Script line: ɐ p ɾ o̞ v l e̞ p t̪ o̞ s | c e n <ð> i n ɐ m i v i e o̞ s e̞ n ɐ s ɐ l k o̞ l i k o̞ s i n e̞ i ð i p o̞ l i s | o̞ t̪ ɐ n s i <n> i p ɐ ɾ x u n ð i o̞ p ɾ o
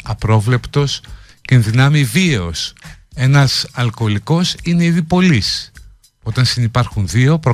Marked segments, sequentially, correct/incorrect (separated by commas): correct, correct